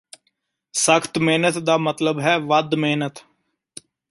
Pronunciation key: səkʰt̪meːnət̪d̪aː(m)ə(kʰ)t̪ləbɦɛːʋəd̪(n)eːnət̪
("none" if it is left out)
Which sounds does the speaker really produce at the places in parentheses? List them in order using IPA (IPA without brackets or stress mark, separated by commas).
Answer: m, none, m